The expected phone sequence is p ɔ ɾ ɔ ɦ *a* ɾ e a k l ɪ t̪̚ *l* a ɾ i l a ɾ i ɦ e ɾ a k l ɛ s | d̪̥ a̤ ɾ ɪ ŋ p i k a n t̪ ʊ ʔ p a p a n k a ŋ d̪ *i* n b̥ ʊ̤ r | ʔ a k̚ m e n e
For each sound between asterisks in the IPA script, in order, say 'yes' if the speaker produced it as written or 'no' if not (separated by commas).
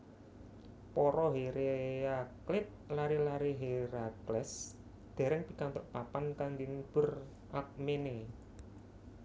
no, yes, yes